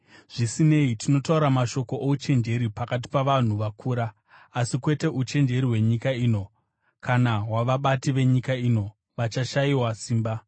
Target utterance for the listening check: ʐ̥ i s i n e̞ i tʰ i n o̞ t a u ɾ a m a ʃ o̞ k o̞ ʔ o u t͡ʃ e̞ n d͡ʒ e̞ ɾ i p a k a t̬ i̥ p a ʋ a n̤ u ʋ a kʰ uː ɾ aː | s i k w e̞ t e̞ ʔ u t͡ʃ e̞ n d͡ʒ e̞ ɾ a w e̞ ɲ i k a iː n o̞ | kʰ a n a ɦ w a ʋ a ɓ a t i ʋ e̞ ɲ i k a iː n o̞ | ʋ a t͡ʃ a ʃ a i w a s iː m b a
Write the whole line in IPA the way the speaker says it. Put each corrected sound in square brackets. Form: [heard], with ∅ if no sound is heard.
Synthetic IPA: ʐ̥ i s i n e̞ i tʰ i n o̞ t a u ɾ a m a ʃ o̞ k o̞ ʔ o u t͡ʃ e̞ n d͡ʒ e̞ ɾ i p a k a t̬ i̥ p a ʋ a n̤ u ʋ a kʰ uː ɾ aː | s i k w e̞ t e̞ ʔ u t͡ʃ e̞ n d͡ʒ e̞ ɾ [i] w e̞ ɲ i k a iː n o̞ | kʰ a n a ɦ w a ʋ a ɓ a t i ʋ e̞ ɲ i k a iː n o̞ | ʋ a t͡ʃ a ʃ a i w a s iː m b a

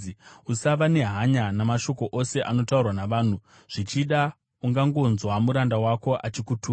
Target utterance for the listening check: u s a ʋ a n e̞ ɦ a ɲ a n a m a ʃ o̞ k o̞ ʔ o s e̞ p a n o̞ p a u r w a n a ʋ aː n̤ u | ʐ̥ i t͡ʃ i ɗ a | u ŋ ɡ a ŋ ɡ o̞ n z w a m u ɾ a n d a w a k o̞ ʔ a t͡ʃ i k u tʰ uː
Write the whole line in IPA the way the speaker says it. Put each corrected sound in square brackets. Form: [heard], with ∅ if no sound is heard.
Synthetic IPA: u s a ʋ a n e̞ ɦ a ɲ a n a m a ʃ o̞ k o̞ ʔ o s e̞ [ʔ] a n o̞ [t] a u r w a n a ʋ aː n̤ u | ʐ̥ i t͡ʃ i ɗ a | u ŋ ɡ a ŋ ɡ o̞ n z w a m u ɾ a n d a w a k o̞ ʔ a t͡ʃ i k u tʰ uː

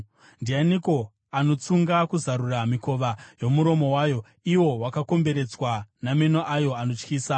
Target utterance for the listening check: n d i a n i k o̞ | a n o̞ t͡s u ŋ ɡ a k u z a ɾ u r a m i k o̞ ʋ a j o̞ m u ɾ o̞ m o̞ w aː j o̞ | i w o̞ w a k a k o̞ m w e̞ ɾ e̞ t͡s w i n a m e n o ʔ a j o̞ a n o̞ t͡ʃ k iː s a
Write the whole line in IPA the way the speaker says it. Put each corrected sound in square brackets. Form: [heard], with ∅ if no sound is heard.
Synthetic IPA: n d i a n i k o̞ | a n o̞ t͡s u ŋ ɡ a k u z a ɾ u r a m i k o̞ ʋ a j o̞ m u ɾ o̞ m o̞ w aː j o̞ | i w o̞ w a k a k o̞ m [b] e̞ ɾ e̞ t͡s w [a] n a m e n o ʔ a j o̞ a n o̞ t͡ʃ k iː s a

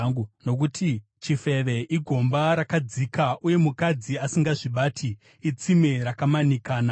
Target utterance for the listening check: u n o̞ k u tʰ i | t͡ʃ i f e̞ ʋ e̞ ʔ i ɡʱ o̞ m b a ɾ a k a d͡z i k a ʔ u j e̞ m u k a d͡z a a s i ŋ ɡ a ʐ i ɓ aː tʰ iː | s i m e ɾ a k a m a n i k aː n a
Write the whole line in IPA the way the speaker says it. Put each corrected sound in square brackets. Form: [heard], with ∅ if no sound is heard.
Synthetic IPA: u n o̞ k u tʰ i | t͡ʃ i f e̞ ʋ e̞ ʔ i ɡʱ o̞ m b a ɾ a k a d͡z i k a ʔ u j e̞ m u k a d͡z [i] a s i ŋ ɡ a ʐ i ɓ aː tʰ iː | [t͡s] i m e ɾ a k a m a n i k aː n a

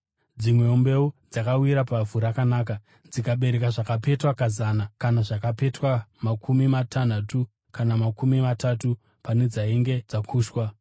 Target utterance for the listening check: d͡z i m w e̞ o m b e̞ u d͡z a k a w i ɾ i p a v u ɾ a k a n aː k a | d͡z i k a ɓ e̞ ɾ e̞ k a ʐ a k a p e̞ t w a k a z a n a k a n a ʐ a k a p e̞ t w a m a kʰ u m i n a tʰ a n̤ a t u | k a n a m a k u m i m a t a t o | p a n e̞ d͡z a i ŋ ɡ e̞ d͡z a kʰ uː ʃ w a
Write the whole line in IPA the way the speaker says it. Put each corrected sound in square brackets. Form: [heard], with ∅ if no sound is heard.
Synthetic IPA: d͡z i m w e̞ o m b e̞ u d͡z a k a w i ɾ [a] p a v u ɾ a k a n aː k a | d͡z i k a ɓ e̞ ɾ e̞ k a ʐ a k a p e̞ t w a k a z a n a k a n a ʐ a k a p e̞ t w a m a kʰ u m i [m] a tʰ a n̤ a t u | k a n a m a k u m i m a t a t [u] | p a n e̞ d͡z a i ŋ ɡ e̞ d͡z a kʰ uː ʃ w a

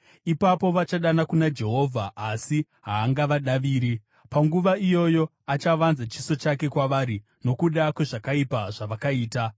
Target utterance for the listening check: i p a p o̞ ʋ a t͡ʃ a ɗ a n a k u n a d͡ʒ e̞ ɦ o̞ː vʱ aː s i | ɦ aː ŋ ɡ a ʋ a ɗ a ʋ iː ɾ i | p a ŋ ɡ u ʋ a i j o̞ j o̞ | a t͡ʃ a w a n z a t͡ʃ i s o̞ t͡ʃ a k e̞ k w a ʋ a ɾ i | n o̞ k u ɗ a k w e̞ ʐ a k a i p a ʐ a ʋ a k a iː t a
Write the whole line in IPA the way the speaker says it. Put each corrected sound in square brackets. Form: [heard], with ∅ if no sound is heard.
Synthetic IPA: i p a p o̞ ʋ a t͡ʃ a ɗ a n a k u n a d͡ʒ e̞ ɦ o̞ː vʱ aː s i | ɦ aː ŋ ɡ a ʋ a ɗ a ʋ iː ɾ i | p a ŋ ɡ u ʋ a i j o̞ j o̞ | a t͡ʃ a [ʋ] a n z a t͡ʃ i s o̞ t͡ʃ a k e̞ k w a ʋ a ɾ i | n o̞ k u ɗ a k w e̞ ʐ a k a i p a ʐ a ʋ a k a iː t a

